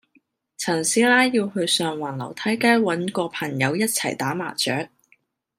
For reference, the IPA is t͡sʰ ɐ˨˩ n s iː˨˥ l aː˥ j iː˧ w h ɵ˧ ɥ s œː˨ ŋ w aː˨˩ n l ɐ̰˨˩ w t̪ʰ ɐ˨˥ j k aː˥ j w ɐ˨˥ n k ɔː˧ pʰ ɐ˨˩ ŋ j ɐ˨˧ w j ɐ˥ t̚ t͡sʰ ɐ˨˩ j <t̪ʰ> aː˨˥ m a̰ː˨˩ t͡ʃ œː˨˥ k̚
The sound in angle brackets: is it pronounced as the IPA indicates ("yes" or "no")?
no